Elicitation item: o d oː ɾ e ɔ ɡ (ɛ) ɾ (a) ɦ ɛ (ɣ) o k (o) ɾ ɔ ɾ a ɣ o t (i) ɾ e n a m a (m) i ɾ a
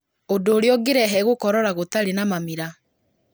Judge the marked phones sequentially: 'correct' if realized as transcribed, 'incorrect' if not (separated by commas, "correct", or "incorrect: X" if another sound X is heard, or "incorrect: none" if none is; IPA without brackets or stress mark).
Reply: incorrect: e, incorrect: ɛ, correct, incorrect: ɔ, incorrect: a, correct